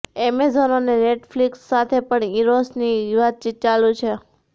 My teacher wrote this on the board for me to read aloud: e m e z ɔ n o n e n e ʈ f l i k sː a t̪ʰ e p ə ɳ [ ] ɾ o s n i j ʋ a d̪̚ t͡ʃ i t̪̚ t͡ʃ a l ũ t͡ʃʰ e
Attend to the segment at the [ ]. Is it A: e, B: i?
B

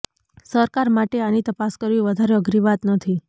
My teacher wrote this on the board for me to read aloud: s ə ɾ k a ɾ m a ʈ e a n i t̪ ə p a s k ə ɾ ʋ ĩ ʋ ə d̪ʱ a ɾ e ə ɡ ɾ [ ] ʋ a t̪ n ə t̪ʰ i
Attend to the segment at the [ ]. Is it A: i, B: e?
A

